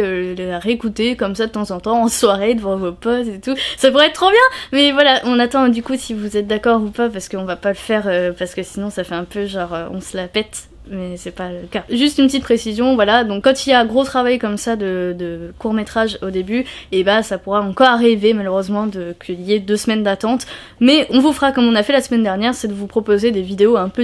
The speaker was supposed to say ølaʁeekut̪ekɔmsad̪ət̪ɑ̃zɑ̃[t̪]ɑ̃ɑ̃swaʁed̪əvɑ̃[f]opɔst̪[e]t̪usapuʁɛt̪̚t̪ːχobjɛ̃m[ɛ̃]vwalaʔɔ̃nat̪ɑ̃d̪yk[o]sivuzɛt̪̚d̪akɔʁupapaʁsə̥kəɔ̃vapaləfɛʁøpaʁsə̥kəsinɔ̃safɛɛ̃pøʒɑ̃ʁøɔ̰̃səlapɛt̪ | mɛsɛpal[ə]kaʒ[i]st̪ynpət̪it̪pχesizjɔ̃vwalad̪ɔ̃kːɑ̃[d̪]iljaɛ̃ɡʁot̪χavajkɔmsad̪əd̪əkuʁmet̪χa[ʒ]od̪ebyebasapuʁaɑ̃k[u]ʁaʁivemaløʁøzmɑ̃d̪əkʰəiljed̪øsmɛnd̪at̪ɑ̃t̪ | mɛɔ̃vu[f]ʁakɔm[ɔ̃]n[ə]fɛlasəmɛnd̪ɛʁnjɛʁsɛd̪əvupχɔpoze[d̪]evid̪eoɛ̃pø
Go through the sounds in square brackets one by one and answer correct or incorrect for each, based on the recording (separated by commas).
correct, incorrect, correct, incorrect, incorrect, correct, incorrect, incorrect, correct, incorrect, correct, correct, incorrect, correct